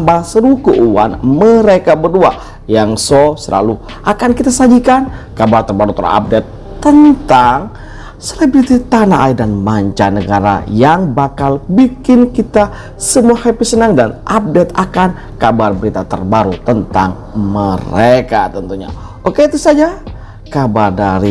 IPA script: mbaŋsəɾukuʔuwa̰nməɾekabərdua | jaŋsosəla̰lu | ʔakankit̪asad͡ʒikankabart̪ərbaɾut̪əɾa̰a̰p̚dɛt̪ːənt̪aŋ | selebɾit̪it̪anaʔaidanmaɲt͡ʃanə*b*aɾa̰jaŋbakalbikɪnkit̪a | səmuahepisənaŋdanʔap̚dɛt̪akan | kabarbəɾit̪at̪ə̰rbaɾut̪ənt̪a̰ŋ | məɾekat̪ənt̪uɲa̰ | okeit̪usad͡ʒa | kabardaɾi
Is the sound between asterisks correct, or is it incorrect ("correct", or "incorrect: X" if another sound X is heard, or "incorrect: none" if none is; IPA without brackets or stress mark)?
incorrect: ɡ